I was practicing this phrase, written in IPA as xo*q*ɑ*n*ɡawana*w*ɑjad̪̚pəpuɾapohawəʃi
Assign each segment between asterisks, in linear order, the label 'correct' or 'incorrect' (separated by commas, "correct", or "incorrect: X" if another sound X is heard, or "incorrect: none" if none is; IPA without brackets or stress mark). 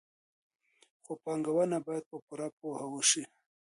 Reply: incorrect: p, incorrect: ŋ, incorrect: b